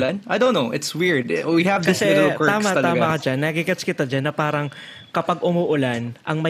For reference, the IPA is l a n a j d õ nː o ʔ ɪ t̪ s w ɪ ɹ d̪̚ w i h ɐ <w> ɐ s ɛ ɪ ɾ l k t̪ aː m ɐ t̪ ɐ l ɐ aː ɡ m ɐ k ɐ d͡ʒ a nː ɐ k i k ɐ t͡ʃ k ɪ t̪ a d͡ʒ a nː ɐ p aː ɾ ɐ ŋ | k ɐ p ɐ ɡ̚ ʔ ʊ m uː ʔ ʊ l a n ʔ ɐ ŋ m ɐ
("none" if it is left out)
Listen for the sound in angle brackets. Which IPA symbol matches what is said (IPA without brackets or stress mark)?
v